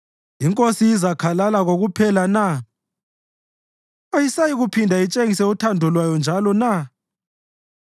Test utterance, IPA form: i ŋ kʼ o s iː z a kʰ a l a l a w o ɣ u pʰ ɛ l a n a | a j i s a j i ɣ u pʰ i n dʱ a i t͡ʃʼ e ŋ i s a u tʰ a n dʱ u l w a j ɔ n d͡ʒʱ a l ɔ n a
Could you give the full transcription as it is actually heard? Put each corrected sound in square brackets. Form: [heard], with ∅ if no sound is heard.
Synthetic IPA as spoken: i ŋ kʼ o s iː z a kʰ a l a l a [ɣ] o ɣ u pʰ ɛ l a n a | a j i s a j i ɣ u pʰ i n dʱ a i t͡ʃʼ e ŋ i s [ɛ] u tʰ a n dʱ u l w a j ɔ n d͡ʒʱ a l ɔ n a

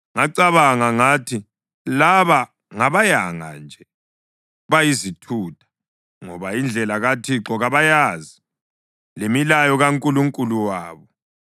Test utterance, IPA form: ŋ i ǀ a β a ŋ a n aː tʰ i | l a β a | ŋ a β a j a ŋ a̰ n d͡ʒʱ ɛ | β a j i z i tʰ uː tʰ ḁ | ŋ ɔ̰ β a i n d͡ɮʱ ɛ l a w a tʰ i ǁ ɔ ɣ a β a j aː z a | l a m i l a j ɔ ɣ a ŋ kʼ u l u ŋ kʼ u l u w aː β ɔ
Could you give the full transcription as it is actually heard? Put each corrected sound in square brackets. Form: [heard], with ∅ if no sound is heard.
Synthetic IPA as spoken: ŋ [a] ǀ a β a ŋ a [ŋ] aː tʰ i | l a β a | ŋ a β a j a ŋ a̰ n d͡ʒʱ ɛ | β a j i z i tʰ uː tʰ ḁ | ŋ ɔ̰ β a i n d͡ɮʱ ɛ l a [ɣ] a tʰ i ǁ ɔ ɣ a β a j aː z [i] | l [e] m i l a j ɔ ɣ a ŋ kʼ u l u ŋ kʼ u l u w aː β ɔ

